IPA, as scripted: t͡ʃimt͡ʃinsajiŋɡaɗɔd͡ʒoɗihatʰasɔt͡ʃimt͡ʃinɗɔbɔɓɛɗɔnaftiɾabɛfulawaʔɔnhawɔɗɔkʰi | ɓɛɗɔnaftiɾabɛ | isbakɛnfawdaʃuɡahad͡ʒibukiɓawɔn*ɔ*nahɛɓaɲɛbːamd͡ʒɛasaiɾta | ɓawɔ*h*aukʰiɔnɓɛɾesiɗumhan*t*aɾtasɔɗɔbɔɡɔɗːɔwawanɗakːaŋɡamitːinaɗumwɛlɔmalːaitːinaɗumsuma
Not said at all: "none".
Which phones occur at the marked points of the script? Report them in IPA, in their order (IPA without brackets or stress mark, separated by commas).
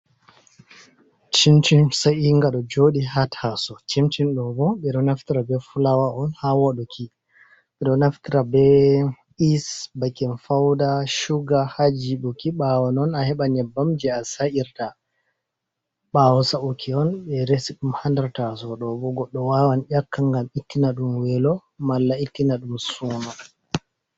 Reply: ɔ, s, d